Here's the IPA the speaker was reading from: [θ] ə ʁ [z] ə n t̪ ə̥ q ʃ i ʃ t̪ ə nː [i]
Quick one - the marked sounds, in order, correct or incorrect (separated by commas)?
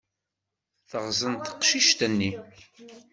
correct, correct, correct